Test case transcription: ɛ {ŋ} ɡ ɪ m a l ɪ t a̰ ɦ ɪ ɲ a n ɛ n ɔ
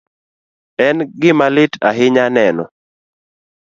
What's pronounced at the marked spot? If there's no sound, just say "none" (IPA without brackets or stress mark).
n